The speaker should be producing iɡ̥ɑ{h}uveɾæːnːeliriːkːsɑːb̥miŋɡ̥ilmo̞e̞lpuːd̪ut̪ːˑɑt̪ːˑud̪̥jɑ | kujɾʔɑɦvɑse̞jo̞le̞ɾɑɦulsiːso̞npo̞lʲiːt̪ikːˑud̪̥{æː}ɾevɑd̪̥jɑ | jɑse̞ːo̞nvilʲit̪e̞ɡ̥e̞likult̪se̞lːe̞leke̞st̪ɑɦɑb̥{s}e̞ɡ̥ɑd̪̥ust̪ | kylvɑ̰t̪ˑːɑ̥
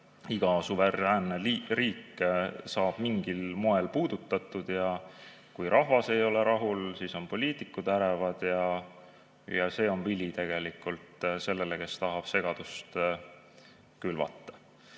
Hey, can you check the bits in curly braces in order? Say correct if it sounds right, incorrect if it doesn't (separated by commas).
incorrect, incorrect, correct